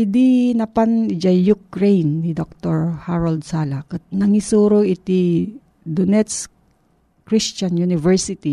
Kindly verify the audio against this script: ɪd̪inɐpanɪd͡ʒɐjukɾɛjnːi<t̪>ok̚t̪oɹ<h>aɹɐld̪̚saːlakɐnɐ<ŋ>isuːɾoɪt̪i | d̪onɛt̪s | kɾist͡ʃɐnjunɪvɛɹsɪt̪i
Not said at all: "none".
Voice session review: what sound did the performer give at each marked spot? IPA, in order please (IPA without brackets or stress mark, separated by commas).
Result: d̪, h, ŋ